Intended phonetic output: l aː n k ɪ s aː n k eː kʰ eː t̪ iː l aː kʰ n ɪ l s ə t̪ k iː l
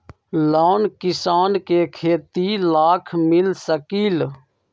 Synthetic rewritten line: l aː n k ɪ s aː n k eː kʰ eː t̪ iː l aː kʰ m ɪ l s ə k iː l